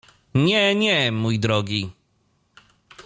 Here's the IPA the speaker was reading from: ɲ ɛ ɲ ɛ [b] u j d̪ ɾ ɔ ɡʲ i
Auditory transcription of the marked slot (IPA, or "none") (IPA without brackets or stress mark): m